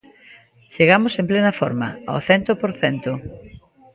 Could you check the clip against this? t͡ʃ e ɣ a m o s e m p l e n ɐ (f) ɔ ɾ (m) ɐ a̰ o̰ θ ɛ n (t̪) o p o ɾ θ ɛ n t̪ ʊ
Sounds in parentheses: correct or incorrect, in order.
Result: correct, correct, correct

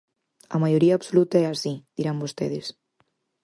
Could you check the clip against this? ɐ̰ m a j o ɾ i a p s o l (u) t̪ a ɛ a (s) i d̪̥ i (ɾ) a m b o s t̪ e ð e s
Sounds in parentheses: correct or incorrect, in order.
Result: correct, correct, correct

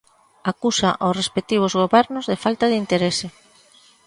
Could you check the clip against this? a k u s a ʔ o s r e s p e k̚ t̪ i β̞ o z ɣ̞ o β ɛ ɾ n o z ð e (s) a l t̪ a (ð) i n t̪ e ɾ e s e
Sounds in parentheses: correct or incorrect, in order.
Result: incorrect: f, correct

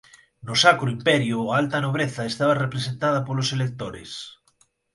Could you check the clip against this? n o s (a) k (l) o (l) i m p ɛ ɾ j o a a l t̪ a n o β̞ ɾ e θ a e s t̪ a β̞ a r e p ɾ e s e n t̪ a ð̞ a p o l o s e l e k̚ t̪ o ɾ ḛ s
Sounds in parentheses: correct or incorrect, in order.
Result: correct, incorrect: ɾ, incorrect: none

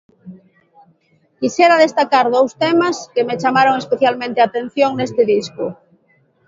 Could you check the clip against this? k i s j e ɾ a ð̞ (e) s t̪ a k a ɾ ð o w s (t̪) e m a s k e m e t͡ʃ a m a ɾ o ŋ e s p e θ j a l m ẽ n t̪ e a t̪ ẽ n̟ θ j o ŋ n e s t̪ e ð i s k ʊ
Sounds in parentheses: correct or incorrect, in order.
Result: correct, correct

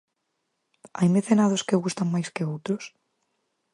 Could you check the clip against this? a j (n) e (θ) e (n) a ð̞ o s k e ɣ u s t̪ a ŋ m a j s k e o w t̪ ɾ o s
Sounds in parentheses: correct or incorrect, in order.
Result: incorrect: m, correct, correct

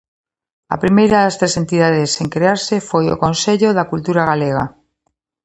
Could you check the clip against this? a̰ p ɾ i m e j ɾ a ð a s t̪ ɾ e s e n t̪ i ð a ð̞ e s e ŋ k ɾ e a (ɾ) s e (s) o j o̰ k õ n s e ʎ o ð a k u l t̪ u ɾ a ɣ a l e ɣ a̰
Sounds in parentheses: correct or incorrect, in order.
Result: correct, incorrect: f

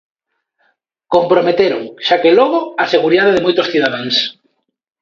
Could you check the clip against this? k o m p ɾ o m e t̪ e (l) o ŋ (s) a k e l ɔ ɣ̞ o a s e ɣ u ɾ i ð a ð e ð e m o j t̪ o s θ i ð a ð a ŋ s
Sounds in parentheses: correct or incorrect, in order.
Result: incorrect: ɾ, incorrect: ʃ

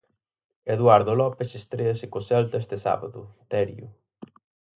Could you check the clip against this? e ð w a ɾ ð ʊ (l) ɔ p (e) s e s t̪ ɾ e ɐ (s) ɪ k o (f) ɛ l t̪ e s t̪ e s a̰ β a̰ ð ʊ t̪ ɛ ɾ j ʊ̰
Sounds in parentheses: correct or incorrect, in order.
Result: correct, correct, correct, incorrect: s

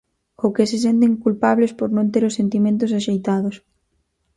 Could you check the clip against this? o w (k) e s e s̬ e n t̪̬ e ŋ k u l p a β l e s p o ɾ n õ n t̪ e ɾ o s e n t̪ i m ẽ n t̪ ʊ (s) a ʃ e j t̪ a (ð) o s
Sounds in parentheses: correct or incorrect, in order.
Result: correct, correct, correct

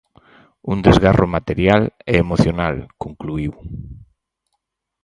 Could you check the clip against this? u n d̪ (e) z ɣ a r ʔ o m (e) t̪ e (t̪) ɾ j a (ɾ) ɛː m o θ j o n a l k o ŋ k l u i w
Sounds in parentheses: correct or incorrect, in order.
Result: correct, incorrect: a, incorrect: none, incorrect: l

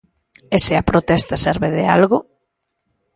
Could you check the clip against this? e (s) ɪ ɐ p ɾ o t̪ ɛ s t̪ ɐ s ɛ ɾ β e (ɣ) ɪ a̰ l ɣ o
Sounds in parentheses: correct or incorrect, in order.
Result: correct, incorrect: ð

